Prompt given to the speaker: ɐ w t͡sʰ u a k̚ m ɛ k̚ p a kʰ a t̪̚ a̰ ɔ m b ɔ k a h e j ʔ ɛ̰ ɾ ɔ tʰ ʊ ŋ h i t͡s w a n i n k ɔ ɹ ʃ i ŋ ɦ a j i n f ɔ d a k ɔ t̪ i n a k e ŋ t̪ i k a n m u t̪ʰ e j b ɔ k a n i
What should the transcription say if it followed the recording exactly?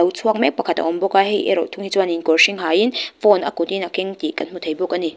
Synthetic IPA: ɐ w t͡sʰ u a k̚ m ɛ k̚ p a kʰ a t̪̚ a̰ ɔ m b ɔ k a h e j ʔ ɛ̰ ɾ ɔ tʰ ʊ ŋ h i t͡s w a n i n k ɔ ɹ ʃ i ŋ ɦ a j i n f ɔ n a k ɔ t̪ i n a k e ŋ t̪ i k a n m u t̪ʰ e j b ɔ k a n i